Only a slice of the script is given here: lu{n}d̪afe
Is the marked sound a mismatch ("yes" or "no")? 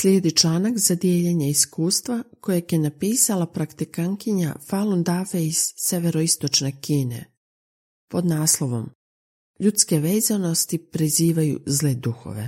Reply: no